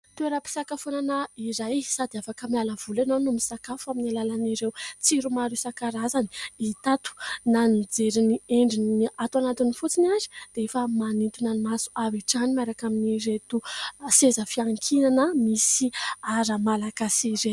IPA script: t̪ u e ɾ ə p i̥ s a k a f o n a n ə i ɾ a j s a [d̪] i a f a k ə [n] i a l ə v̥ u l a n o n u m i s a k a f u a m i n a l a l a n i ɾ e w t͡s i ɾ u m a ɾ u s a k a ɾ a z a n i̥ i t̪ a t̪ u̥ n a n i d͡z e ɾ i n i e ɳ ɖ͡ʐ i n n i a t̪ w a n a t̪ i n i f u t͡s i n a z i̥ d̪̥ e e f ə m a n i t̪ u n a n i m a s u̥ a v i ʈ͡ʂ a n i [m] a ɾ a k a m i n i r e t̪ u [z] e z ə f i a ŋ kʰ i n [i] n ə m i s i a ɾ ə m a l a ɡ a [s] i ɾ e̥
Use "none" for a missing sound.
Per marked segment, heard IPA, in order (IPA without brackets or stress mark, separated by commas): d̪, m, m, s, a, s